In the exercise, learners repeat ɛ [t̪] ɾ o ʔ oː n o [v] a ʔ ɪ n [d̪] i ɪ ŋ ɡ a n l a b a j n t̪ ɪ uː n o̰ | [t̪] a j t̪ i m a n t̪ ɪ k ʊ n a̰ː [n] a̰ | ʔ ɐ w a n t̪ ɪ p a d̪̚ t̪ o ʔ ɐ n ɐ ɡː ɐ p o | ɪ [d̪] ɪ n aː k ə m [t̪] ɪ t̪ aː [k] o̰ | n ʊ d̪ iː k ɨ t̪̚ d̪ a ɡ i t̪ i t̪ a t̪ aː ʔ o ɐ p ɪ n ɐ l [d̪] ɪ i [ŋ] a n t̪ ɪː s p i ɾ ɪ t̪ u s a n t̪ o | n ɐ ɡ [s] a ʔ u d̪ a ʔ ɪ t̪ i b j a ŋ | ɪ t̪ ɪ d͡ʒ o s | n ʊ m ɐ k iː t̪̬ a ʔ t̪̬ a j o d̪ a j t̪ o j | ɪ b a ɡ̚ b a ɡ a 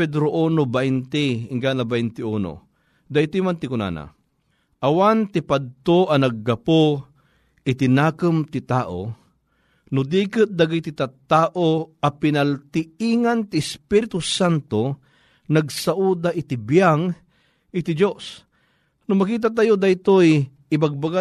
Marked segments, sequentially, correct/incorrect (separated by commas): incorrect, incorrect, incorrect, incorrect, correct, incorrect, correct, incorrect, incorrect, correct, correct